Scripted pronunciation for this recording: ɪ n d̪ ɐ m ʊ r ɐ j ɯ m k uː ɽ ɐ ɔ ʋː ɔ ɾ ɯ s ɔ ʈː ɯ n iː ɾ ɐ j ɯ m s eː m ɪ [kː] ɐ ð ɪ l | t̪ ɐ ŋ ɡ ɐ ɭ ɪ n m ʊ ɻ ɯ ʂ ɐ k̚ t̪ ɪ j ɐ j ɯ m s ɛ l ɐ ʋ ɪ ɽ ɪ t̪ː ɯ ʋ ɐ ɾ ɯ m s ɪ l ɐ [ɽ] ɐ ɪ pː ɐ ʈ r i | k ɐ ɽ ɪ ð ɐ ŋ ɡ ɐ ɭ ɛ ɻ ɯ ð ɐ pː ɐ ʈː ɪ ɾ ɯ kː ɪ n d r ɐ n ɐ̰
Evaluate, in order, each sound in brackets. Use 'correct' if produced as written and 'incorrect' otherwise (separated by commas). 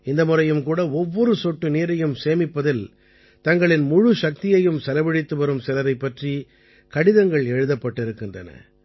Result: incorrect, incorrect